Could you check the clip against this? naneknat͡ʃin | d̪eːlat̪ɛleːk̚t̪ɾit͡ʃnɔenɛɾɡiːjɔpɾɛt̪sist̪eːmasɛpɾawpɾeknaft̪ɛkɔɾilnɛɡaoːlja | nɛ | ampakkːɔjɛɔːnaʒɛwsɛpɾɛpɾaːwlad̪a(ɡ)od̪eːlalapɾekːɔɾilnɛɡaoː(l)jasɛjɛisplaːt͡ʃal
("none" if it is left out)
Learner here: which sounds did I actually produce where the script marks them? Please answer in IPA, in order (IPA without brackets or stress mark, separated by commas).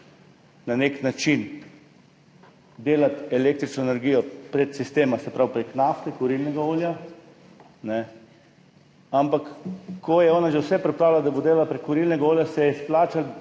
b, l